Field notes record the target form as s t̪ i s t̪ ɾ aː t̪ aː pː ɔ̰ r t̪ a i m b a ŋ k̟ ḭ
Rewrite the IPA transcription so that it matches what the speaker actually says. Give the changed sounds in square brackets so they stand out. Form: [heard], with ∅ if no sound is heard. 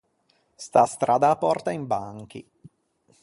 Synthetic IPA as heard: s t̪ [a] s t̪ ɾ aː [d̪] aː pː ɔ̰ r t̪ a i m b a ŋ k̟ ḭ